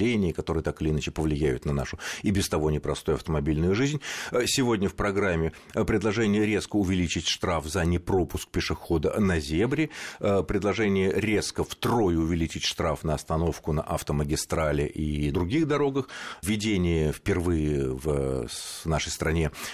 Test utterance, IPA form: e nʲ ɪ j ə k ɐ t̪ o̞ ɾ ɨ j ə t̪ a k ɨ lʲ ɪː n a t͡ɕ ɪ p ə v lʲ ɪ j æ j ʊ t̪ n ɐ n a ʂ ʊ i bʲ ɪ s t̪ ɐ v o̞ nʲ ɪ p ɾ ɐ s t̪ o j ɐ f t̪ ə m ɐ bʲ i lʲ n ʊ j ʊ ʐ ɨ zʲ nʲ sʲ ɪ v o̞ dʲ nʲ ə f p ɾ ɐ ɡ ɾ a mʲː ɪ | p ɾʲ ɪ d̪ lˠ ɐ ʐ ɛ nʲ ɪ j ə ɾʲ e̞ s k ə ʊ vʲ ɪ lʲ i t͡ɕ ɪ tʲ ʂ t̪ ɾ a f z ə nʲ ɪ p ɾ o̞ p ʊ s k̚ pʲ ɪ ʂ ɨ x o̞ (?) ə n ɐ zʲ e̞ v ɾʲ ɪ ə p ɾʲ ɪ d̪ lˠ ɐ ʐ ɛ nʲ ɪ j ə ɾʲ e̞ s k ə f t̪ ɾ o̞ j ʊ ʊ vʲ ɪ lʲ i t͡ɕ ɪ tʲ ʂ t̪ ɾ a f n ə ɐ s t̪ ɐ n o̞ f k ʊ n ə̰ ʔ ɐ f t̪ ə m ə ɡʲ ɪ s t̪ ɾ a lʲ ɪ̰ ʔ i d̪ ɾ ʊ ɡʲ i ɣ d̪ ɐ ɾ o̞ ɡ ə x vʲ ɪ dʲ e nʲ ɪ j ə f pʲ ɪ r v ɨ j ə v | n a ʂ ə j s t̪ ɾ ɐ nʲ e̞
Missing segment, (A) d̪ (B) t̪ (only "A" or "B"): A